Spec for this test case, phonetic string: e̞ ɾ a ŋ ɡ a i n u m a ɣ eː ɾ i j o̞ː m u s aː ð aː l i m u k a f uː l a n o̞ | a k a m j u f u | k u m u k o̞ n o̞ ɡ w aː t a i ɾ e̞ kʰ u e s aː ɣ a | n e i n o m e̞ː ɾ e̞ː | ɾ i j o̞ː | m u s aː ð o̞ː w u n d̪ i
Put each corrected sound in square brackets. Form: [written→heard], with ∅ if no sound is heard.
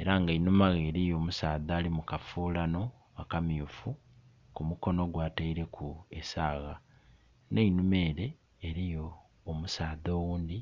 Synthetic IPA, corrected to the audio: e̞ ɾ a ŋ ɡ a i n u m a ɣ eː ɾ i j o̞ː m u s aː ð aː l i m u k a f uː l a n o̞ | a k a m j u f u | k u m u k o̞ n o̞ ɡ w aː t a i ɾ e̞ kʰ u e s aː ɣ a | n e i n [o→u] m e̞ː ɾ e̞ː | ɾ i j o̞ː | m u s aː ð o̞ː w [u→uː] n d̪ i